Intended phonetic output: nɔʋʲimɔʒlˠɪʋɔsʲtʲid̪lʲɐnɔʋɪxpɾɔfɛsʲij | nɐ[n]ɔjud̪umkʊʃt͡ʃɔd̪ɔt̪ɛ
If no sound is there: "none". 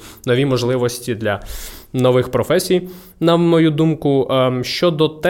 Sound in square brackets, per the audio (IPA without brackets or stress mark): m